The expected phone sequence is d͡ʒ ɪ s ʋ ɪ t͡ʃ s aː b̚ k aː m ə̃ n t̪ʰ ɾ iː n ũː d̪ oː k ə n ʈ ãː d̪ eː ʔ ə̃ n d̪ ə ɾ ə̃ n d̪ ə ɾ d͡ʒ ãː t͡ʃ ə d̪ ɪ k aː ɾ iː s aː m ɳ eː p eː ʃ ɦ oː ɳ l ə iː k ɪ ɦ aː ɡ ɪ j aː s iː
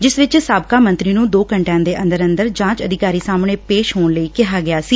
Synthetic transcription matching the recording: d͡ʒ ɪ s ʋ ɪ t͡ʃ s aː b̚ k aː m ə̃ n t̪ ɾ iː n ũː d̪ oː k ə ɳ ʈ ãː d̪ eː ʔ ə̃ n d̪ ə ɾ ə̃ n d̪ ə ɾ d͡ʒ ãː t͡ʃ ə d̪ ɪ k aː ɾ iː s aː m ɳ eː p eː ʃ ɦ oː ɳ l ə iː k ɪ ɦ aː ɡ ɪ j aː s iː